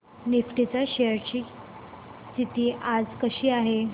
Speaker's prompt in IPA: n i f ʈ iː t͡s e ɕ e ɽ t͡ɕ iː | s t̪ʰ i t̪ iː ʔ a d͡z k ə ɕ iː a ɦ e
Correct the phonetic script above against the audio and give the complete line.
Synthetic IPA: n i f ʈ i t͡s a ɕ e ɾ t͡ɕ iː | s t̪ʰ i t̪ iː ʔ a d͡z k ə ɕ iː a ɦ e

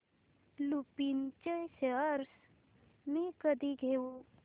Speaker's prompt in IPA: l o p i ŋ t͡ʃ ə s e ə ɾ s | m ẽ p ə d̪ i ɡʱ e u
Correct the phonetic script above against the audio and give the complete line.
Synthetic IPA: l u p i n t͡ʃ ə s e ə ɾ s | m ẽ k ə d̪ i ɡʱ e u

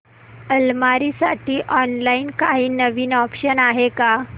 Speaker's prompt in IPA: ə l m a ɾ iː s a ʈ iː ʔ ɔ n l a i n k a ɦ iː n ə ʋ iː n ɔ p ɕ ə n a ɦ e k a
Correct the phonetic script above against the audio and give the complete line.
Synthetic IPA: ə l m a ɾ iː s a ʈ iː ʔ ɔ n l a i n k a ɦ iː n ə ʋ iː n ɔ p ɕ ə n a ɦ e k a

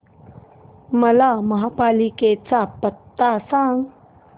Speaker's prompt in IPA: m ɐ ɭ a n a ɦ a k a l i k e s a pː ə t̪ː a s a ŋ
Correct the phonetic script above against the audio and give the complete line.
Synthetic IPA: m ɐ l a m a ɦ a p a l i k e t͡s a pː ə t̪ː a s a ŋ

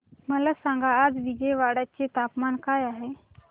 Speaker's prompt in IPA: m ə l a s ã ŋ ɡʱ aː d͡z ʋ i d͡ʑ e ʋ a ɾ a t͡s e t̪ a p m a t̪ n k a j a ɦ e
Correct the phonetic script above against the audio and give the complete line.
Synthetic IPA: m ə l a s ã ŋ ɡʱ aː d͡z ʋ i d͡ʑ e ʋ a ɽ a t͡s e t̪ a p m a n k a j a ɦ e

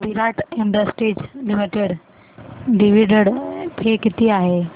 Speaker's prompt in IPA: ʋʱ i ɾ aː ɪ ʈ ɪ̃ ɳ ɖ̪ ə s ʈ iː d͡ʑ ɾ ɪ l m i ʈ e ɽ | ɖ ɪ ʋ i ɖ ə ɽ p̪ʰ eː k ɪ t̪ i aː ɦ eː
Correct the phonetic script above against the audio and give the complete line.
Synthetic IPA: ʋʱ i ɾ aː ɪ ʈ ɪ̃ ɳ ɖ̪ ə s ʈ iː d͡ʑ l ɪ m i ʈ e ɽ | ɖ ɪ ʋ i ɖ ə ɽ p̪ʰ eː k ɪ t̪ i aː ɦ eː

